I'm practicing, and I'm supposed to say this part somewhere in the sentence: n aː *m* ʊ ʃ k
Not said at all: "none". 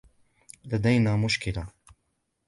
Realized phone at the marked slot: m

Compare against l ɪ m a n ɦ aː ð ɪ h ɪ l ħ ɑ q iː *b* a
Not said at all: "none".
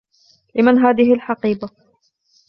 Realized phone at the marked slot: b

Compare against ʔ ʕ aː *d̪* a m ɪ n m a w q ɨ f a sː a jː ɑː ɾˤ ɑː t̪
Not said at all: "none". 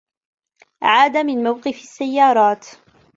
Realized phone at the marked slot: d̪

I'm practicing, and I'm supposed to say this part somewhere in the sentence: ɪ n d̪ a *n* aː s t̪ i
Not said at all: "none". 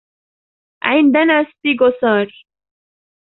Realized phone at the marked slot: n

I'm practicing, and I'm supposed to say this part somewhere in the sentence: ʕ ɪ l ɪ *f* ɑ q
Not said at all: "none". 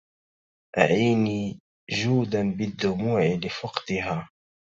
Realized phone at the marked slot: f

